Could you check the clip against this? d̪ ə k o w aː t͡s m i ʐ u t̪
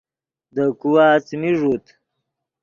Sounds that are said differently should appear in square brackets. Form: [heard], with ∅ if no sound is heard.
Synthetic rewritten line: d̪ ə k [u] w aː t͡s m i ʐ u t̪